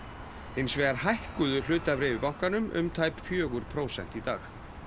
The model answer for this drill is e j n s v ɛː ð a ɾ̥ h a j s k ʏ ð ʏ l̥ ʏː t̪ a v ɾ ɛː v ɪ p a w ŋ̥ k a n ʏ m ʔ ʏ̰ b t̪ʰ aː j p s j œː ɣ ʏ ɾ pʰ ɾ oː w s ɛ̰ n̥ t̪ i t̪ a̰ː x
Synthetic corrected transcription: e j n s v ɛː ɣ a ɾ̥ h a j h k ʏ ð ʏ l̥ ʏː t̪ a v ɾ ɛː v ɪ p a w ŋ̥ k a n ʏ m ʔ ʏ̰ m t̪ʰ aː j p f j œː ɣ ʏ ɾ pʰ ɾ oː w s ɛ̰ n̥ t̪ i t̪ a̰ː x